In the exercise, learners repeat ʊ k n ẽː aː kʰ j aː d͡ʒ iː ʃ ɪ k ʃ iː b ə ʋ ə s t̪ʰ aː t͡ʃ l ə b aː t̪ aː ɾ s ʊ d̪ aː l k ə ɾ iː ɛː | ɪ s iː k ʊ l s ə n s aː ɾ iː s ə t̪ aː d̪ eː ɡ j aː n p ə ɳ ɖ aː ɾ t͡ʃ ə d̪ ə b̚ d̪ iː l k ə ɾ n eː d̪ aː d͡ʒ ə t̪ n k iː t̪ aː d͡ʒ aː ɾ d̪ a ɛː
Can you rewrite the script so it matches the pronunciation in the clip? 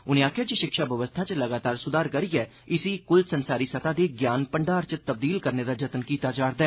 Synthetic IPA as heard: ʊ n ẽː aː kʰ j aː d͡ʒ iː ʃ ɪ k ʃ aː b ə ʋ ə s t̪ʰ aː t͡ʃ l ə ɡ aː t̪ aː ɾ s ʊ d̪ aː ɾ k ə ɾ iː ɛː | ɪ s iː k ʊ l s ə n s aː ɾ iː s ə t̪ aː d̪ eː ɡ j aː n p ə ɳ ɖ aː ɾ t͡ʃ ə t̪ ə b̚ d̪ iː l k ə ɾ n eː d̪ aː d͡ʒ ə t̪ n k iː t̪ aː d͡ʒ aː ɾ d̪ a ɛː